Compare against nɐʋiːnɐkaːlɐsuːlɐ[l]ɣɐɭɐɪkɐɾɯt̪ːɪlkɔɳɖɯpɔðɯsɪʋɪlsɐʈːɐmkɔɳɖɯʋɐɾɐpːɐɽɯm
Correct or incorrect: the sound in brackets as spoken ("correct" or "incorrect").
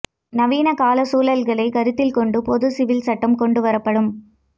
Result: correct